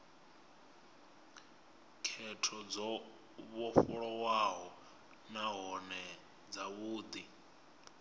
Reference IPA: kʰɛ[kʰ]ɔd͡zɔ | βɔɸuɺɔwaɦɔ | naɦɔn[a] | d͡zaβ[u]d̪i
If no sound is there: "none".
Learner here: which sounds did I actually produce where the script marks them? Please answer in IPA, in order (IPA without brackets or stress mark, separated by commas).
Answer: tʰ, ɛ, uː